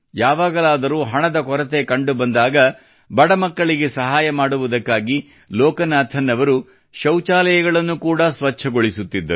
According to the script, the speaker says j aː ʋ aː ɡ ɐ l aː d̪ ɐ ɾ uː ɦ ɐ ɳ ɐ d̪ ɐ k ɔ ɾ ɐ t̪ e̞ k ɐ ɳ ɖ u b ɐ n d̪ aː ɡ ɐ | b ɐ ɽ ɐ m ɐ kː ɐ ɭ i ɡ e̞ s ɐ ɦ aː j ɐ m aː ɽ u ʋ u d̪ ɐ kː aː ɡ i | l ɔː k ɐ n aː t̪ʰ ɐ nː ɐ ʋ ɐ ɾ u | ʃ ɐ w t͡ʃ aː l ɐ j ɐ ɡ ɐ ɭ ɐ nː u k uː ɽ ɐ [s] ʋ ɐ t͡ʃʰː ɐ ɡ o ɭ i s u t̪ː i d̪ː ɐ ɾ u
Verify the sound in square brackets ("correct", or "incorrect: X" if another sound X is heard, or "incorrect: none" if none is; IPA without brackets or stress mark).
correct